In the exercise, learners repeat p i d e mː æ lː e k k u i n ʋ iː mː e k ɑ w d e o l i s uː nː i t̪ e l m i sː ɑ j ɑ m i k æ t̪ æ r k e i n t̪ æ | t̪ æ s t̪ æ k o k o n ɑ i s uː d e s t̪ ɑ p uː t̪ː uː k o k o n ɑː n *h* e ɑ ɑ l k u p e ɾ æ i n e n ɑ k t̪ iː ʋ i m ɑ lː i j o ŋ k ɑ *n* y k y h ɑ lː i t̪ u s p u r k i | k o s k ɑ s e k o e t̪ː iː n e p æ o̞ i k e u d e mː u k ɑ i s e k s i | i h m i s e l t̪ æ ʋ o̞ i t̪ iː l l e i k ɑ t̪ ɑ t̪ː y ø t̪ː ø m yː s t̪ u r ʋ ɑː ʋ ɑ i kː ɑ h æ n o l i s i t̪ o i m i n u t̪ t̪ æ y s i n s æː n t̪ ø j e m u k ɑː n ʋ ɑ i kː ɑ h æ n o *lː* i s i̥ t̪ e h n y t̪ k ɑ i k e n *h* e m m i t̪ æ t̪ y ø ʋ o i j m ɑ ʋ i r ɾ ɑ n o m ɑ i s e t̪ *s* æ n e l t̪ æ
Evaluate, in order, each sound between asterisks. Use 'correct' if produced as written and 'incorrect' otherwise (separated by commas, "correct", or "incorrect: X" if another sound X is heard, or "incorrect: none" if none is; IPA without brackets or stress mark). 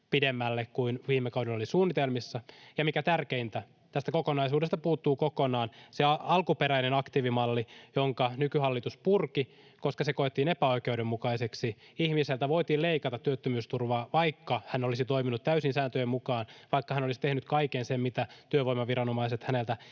incorrect: s, correct, incorrect: l, incorrect: s, incorrect: h